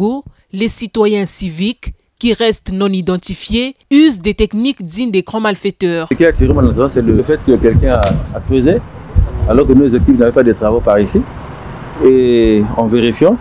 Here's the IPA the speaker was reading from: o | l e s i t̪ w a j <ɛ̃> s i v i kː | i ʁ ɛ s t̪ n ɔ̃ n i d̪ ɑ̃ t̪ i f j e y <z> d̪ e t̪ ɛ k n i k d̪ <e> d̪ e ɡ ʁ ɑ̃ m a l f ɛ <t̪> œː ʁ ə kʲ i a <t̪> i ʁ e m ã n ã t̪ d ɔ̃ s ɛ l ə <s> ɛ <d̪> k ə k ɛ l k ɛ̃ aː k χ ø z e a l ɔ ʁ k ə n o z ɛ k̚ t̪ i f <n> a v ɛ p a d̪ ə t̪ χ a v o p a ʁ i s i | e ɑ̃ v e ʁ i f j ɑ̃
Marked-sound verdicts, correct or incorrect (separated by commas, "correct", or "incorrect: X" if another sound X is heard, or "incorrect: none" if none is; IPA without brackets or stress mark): correct, correct, incorrect: i, correct, correct, incorrect: f, incorrect: t̪, correct